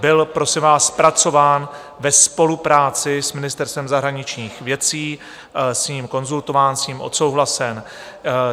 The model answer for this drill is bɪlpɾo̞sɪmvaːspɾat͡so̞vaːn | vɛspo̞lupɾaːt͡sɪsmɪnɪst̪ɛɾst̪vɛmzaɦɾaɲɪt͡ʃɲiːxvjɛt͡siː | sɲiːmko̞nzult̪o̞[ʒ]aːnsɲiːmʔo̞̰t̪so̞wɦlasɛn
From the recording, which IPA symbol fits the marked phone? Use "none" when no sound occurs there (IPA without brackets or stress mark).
v